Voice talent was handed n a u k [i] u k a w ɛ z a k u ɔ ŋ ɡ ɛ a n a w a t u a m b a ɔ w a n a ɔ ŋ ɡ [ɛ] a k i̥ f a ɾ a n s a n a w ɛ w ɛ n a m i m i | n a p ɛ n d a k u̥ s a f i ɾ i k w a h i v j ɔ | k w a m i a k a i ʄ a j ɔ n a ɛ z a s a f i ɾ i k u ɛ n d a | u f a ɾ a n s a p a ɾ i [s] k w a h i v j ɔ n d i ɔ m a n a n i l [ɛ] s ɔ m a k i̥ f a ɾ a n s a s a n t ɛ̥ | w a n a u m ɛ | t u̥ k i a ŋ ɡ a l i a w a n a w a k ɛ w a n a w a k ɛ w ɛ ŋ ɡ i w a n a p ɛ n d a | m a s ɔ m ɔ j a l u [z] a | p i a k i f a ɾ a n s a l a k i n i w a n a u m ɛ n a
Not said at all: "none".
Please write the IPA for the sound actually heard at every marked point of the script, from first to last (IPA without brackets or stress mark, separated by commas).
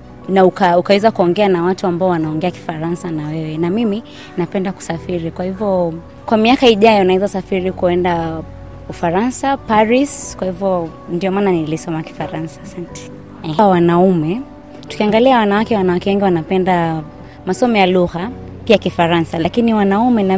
a, ɛ, s, i, ɣ